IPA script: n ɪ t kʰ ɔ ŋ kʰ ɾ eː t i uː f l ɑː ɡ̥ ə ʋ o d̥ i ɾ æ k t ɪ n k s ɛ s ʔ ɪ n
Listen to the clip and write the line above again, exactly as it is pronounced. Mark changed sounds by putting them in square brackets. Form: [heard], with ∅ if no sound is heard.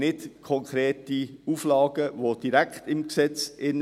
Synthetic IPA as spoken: n ɪ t kʰ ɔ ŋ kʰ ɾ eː t i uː f l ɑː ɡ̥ ə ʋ o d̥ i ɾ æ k t ɪ [m] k s ɛ [t͡s] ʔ ɪ n